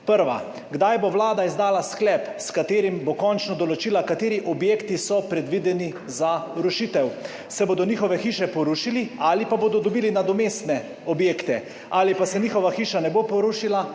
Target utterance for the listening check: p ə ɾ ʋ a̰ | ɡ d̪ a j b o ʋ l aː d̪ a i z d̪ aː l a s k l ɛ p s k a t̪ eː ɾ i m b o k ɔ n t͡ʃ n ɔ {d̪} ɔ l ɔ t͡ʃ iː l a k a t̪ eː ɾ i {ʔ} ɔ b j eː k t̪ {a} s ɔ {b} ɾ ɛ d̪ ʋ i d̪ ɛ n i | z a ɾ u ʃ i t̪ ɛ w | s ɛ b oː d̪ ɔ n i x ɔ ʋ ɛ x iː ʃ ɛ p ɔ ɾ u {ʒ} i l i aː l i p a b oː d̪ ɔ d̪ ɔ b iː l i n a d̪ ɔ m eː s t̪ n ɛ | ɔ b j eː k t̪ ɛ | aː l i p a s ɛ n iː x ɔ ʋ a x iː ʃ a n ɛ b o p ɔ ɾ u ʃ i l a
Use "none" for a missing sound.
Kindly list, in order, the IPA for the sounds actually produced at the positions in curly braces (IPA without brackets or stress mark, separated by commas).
d̪, ʔ, i, p, ʃ